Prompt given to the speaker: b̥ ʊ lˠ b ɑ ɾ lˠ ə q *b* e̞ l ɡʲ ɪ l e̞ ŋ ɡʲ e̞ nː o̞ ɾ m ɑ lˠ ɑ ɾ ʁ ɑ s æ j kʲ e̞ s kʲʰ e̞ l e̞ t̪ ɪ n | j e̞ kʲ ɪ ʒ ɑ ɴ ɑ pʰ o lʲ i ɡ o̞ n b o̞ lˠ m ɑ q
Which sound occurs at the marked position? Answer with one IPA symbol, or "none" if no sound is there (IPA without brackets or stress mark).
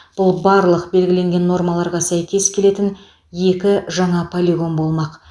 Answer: b